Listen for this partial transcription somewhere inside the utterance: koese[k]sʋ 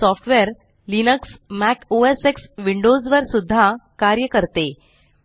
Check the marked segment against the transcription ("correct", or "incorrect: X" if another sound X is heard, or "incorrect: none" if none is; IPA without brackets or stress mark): correct